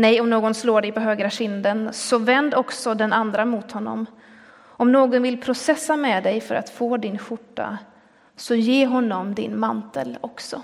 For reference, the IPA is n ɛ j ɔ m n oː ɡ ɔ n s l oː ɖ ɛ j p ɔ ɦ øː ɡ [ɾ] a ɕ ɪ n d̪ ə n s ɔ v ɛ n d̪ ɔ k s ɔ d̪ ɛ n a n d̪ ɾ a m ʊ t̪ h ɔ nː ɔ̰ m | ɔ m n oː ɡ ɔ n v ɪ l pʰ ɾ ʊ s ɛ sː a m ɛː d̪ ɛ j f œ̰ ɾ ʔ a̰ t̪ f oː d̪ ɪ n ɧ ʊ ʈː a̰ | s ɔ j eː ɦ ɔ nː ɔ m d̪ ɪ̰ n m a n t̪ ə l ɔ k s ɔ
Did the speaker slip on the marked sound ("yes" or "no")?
no